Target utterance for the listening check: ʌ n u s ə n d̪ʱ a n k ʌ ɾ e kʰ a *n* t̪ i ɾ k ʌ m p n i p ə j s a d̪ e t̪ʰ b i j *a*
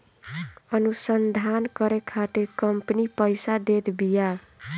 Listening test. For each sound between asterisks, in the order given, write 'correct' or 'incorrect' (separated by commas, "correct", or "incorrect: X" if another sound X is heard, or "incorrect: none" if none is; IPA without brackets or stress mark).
incorrect: none, correct